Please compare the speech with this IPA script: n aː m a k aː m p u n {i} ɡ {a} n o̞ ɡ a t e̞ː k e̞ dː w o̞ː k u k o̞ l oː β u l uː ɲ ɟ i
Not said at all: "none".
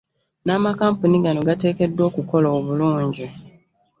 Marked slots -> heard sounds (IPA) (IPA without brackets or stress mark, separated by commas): i, a